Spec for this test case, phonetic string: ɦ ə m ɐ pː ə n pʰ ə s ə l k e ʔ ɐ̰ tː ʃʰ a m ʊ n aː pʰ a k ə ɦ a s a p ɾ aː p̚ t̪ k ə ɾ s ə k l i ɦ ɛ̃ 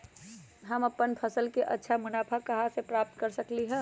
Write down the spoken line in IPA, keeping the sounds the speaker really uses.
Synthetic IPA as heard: ɦ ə m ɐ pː ə n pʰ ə s ə l k e ʔ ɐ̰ tː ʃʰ a m ʊ n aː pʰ a k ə ɦ a s e p ɾ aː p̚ t̪ k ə ɾ s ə k l i ɦ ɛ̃